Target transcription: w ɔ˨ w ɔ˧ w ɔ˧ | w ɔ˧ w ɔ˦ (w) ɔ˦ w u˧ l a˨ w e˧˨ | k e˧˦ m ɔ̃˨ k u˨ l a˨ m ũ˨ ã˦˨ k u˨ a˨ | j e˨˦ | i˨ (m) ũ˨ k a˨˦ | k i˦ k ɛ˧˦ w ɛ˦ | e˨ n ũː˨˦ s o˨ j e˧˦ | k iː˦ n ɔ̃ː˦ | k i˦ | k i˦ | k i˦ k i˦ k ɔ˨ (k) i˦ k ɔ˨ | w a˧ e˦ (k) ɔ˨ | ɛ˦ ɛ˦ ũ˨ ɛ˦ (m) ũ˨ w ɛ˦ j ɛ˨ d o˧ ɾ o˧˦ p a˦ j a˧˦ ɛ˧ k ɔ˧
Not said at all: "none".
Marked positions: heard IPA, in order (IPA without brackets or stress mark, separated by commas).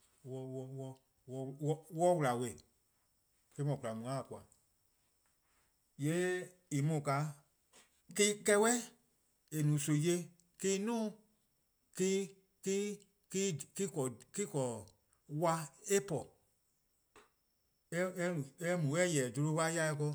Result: w, m, k, p, m